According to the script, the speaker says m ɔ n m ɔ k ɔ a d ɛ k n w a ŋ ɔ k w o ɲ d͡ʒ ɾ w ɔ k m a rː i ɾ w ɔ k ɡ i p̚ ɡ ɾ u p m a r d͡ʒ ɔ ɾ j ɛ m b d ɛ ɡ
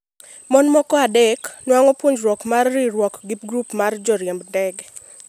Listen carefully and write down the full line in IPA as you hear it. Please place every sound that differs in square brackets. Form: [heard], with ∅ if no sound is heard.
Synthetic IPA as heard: m ɔ n m ɔ k ɔ a d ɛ k n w a ŋ ɔ [p] w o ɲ d͡ʒ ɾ w ɔ k m a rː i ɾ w ɔ k ɡ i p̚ ɡ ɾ u p m a r d͡ʒ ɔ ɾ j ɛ m b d ɛ ɡ